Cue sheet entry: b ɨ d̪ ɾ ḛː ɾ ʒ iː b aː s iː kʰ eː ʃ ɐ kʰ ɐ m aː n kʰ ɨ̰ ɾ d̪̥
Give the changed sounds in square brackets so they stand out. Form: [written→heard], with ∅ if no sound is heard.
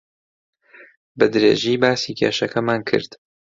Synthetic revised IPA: b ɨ d̪ ɾ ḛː [ɾ→∅] ʒ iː b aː s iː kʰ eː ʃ ɐ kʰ ɐ m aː n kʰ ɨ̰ ɾ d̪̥